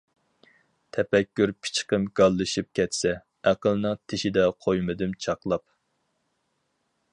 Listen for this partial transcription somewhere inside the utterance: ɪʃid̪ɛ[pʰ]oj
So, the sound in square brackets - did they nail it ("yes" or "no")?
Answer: no